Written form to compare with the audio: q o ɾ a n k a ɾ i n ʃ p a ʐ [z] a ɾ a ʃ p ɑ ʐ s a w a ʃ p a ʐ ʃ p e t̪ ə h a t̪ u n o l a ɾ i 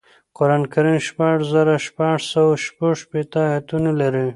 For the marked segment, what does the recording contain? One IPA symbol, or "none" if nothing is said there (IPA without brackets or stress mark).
z